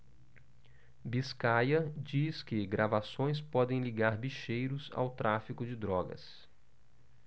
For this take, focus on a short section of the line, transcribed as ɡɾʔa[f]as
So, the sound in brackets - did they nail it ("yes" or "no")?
no